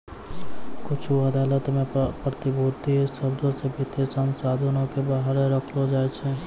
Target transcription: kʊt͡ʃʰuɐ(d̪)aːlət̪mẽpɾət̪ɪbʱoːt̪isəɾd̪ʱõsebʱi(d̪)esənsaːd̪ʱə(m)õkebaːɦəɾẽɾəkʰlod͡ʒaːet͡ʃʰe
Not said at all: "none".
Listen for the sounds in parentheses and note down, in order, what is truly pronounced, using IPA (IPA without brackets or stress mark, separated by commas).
d̪, t̪, n